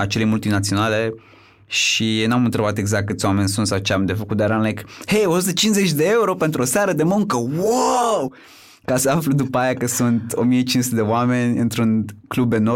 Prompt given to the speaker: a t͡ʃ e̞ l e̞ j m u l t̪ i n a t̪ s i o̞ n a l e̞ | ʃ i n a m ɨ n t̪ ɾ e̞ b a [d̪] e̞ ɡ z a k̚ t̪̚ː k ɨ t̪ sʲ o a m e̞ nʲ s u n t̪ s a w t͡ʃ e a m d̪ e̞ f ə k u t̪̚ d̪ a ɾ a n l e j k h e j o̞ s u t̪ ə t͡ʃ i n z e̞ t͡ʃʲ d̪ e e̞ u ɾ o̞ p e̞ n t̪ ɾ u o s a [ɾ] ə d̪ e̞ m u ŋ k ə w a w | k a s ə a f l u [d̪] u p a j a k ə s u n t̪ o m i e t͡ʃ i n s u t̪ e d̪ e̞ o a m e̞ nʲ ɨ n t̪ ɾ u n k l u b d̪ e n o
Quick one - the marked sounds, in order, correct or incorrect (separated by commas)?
incorrect, correct, correct